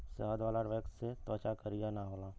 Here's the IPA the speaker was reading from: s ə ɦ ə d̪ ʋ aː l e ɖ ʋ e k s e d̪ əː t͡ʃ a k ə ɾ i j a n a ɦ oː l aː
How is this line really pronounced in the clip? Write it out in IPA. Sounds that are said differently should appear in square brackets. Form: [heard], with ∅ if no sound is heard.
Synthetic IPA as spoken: s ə ɦ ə d̪ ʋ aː l [a] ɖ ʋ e k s e [t̪] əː t͡ʃ a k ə ɾ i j a n a ɦ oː l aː